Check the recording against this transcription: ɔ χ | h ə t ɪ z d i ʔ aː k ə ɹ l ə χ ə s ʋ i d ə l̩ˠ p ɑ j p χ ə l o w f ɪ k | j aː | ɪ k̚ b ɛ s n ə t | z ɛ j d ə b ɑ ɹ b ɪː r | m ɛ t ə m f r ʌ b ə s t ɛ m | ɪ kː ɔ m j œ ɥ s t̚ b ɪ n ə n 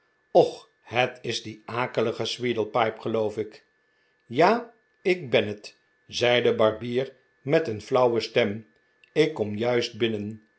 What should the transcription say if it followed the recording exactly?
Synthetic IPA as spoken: ɔ χ | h ə t ɪ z d i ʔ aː k ə l ə χ ə s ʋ i d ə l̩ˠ p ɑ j p χ ə l o w f ɪ k | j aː | ɪ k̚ b ɛ n ə t | z ɛ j d ə b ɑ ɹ b iː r | m ɛ t ə n f l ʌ w ə s t ɛ m | ɪ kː ɔ m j œ ɥ s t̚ b ɪ n ə n